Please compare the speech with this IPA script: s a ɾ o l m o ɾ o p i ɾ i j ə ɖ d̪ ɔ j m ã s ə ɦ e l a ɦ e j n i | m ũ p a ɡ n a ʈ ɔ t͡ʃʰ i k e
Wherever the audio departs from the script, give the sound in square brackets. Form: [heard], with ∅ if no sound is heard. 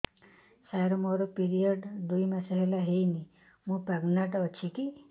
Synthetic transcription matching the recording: s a ɾ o [∅] m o ɾ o p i ɾ i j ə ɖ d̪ [u] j m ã s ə ɦ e l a ɦ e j n i | m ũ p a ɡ n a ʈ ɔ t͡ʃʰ i k [i]